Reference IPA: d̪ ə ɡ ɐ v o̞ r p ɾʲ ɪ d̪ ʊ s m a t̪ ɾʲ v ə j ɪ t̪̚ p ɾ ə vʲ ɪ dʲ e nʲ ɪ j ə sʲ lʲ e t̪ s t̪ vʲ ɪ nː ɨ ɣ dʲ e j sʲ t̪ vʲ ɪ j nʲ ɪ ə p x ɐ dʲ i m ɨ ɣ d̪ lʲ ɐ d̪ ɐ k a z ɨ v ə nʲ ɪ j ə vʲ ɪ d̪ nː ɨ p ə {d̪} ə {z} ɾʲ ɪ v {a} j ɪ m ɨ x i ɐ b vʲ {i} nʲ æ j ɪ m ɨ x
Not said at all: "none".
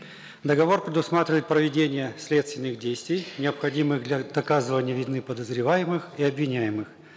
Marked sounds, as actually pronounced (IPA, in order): d̪, z, a, ɪ

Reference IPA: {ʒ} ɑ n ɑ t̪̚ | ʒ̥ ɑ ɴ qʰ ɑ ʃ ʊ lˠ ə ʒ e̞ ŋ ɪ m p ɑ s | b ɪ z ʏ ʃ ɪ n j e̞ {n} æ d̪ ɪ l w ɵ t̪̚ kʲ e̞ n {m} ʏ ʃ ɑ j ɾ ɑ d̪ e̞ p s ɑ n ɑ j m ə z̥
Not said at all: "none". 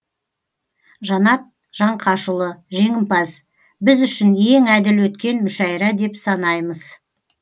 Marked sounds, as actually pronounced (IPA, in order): ʒ, ŋ, m

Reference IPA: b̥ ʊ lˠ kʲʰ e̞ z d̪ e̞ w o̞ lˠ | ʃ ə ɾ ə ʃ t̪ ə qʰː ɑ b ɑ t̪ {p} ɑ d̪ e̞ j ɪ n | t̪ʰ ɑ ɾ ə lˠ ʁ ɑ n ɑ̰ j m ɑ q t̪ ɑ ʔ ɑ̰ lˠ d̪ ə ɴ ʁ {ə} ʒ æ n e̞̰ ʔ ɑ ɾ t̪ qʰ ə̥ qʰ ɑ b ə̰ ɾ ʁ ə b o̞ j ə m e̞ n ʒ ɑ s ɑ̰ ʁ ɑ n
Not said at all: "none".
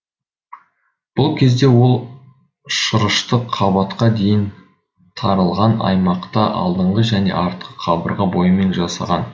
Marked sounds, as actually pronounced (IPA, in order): q, ə

